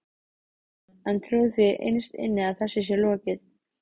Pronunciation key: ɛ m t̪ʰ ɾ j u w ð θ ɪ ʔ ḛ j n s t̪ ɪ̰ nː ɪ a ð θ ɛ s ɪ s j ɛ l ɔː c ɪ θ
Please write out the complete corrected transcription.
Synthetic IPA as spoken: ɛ n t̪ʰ ɾ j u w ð θ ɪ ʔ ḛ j n s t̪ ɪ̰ nː ɪ a ð θ ɛ sː ɪ s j ɛ l ɔː c ɪ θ

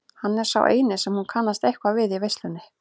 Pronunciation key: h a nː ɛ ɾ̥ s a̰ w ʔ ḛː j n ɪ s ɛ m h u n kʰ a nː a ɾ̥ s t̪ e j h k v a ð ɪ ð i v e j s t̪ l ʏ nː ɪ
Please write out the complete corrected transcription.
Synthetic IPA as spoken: h a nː ɛ ɾ̥ s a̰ w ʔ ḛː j n ɪ s ɛ m h u n kʰ a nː a s t̪ e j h k v a v ɪ ð i v e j s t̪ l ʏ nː ɪ

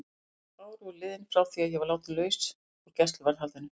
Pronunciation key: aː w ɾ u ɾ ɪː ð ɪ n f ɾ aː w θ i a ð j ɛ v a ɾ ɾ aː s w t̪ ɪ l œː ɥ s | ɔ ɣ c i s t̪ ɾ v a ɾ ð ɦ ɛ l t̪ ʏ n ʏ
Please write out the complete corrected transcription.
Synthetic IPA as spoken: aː w ɾ u l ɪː ð ɪ n f ɾ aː w θ i a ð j ɛ v a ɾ l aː w t̪ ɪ l œː ɥ s | ɔ ɣ c ɛ s t̪ l v a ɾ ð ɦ a l t̪ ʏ n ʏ

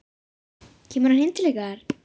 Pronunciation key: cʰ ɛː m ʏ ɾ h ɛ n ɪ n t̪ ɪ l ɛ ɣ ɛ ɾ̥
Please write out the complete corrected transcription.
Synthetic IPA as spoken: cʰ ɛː m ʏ ɾ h a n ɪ n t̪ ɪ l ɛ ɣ a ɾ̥

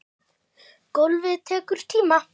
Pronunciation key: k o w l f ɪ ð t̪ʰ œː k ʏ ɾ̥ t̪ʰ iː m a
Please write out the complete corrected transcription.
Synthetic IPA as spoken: k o w l v ɪ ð t̪ʰ ɛː k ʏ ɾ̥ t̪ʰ iː m a

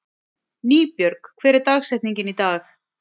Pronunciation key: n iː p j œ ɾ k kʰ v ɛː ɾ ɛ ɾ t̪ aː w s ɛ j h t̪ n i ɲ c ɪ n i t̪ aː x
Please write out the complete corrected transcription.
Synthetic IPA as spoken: n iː p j œ ɾ k kʰ v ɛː ɾ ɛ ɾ t̪ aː ɣ s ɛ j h t̪ n i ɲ c ɪ n i t̪ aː x

